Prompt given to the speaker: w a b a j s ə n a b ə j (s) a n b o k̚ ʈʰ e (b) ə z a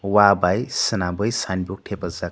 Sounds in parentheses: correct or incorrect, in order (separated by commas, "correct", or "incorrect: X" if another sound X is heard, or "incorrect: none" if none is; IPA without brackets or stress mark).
correct, incorrect: p